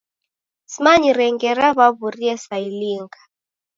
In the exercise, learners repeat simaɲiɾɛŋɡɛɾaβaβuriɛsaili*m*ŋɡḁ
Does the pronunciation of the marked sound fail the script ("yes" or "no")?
yes